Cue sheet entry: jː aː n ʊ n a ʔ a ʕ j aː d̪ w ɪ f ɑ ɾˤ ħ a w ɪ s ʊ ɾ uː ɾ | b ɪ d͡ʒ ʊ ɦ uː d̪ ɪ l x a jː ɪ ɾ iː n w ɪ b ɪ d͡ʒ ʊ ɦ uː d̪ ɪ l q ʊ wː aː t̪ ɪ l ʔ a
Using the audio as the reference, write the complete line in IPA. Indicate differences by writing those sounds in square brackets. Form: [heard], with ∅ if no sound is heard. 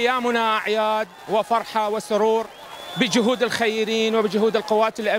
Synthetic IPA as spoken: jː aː [m] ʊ n a ʔ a ʕ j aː d̪ w ɪ f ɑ ɾˤ ħ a w ɪ s ʊ ɾ uː ɾ | b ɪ d͡ʒ ʊ ɦ uː d̪ ɪ l x a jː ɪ ɾ iː n w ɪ b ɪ d͡ʒ ʊ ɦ uː d̪ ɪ l q ʊ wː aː t̪ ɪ l ʔ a